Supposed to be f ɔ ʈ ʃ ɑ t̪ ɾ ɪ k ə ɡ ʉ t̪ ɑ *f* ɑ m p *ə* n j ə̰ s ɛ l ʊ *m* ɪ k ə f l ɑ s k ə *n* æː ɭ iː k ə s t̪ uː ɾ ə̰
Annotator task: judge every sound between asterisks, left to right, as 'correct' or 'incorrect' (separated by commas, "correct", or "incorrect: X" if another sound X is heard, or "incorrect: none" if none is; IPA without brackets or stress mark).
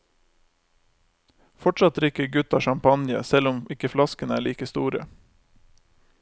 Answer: incorrect: ʃ, incorrect: ɑ, correct, correct